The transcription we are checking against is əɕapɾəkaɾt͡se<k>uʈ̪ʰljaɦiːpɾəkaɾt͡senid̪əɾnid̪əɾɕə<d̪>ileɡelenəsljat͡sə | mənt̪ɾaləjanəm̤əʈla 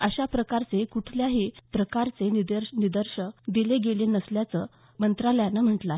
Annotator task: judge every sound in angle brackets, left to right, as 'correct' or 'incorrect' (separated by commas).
correct, correct